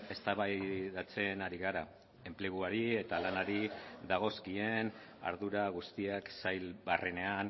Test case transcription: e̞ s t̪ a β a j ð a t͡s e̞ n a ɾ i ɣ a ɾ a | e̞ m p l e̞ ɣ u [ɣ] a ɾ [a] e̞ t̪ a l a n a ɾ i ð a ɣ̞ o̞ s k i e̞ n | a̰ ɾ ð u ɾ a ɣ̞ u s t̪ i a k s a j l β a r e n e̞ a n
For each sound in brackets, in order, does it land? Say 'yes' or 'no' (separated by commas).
no, no